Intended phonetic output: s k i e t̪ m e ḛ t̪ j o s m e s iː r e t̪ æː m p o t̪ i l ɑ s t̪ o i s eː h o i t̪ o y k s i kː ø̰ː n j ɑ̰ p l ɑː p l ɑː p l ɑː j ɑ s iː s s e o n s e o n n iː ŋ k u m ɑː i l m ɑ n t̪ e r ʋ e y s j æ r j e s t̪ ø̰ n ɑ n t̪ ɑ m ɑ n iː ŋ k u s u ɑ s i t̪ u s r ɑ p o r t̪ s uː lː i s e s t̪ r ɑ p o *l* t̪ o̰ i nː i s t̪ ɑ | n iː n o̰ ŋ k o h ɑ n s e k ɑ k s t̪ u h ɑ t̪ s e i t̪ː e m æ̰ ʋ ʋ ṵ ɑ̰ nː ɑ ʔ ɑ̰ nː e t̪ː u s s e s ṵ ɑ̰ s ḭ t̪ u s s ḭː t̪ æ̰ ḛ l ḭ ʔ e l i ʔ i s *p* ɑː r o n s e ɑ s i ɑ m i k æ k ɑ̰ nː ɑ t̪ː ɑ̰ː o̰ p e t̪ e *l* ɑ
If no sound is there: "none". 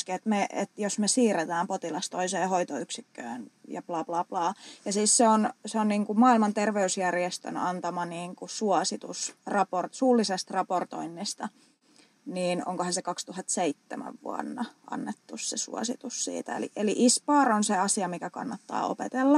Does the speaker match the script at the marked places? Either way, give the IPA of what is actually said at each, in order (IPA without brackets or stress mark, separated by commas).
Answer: r, p, lː